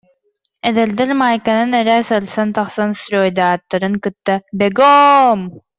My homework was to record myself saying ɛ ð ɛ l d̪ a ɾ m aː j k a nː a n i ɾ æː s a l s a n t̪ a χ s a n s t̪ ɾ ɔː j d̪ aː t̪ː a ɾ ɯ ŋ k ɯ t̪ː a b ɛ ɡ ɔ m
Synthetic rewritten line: ɛ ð ɛ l d̪ ɛ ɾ m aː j k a n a n ɛ ɾ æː s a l s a n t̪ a χ s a n s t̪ ɾ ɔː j d̪ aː t̪ː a ɾ ɯ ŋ k ɯ t̪ː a b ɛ ɡ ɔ m